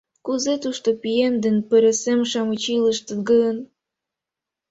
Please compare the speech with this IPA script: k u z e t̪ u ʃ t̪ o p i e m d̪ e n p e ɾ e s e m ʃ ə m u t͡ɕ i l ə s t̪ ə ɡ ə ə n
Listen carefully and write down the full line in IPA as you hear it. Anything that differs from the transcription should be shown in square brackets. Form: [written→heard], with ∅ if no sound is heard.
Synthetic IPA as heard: k u z e t̪ u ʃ t̪ o p i e m d̪ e n p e ɾ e s e m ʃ [ə→ɑ] m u t͡ɕ i l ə [s→ʃ] t̪ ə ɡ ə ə n